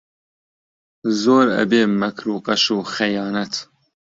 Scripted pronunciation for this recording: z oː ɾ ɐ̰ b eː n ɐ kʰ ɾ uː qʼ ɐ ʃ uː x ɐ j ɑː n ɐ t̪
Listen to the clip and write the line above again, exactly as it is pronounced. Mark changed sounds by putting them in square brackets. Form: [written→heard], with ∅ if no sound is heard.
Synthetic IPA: z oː ɾ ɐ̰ b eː [n→m] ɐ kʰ ɾ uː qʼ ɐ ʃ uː x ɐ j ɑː n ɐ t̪